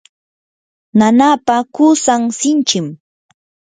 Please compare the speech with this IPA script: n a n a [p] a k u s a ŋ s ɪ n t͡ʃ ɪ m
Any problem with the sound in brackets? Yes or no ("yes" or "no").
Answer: no